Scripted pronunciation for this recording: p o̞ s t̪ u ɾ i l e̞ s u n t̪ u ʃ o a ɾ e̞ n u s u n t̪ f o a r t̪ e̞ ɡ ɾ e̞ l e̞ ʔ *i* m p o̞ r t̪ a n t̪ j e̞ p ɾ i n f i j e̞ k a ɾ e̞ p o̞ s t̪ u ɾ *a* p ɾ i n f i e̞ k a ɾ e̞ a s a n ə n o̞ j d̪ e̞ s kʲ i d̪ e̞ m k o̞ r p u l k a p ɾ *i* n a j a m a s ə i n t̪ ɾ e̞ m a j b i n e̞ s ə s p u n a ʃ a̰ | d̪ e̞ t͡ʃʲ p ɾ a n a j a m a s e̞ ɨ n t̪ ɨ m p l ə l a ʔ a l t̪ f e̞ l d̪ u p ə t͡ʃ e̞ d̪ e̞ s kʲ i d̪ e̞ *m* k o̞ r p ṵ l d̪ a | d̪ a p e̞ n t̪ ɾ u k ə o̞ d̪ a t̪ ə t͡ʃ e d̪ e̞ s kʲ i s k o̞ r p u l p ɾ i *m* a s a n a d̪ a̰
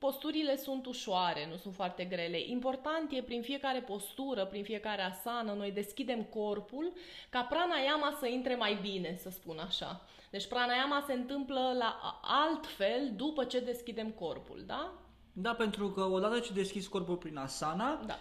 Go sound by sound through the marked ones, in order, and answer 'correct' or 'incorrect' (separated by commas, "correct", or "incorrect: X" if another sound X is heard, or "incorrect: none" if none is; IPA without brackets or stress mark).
correct, incorrect: ə, incorrect: a, correct, incorrect: n